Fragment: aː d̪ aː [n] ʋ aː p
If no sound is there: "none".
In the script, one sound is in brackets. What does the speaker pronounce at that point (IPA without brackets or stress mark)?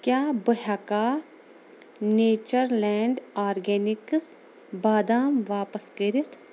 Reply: m